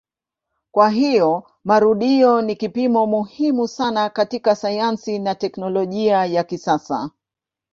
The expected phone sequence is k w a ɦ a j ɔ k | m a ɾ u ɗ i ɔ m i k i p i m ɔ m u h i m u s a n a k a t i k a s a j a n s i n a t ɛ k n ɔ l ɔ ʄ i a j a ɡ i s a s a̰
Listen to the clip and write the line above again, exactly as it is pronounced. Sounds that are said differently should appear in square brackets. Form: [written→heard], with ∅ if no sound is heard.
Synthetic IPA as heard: k w a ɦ [a→i] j ɔ [k→∅] | m a ɾ u ɗ i ɔ [m→n] i k i p i m ɔ m u h i m u s a n a k a t i k a s a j a n s i n a t ɛ k n ɔ l ɔ ʄ i a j a [ɡ→k] i s a s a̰